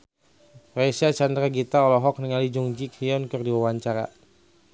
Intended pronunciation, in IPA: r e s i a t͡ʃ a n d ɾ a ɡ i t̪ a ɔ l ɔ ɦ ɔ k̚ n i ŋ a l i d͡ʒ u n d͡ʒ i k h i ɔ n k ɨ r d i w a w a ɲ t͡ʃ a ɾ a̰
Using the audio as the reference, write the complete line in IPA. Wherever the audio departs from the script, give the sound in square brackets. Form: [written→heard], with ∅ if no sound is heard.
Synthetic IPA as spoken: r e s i a t͡ʃ a n d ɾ a ɡ i t̪ a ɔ l ɔ ɦ ɔ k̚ n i ŋ a l i d͡ʒ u [n→ŋ] d͡ʒ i k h i ɔ n k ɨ r d i w a w a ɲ t͡ʃ a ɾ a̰